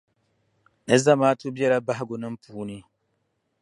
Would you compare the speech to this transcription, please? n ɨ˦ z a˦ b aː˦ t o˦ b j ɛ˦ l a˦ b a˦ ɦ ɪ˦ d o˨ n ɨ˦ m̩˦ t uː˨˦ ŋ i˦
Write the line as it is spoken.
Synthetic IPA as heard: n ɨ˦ z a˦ m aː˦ t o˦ b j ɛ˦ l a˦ b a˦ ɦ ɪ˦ ɡ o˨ n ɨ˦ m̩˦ p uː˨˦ n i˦